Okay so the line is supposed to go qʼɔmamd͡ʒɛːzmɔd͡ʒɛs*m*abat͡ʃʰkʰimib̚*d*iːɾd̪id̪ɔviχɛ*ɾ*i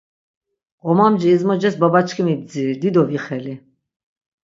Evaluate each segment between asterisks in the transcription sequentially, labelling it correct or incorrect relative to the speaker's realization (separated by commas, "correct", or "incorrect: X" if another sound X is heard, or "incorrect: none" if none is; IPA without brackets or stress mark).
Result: incorrect: b, incorrect: d͡z, incorrect: l